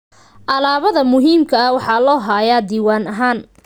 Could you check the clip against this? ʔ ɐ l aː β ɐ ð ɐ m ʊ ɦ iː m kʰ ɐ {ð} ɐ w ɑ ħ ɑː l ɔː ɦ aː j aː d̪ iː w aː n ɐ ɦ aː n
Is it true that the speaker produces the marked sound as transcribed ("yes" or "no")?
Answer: no